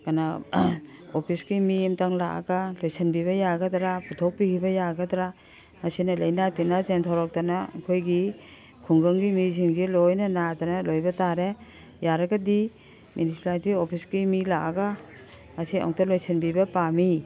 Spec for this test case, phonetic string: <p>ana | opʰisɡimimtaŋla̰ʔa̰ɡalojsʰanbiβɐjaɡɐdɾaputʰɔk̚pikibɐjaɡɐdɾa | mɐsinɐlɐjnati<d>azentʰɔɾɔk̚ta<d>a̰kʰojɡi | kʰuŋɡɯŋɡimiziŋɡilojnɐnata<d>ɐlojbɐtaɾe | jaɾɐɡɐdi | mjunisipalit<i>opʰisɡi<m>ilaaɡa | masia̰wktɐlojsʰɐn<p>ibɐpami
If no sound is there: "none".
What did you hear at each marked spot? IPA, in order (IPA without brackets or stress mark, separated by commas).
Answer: k, n, n, n, i, m, b